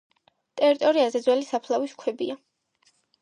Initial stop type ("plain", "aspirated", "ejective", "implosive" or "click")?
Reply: ejective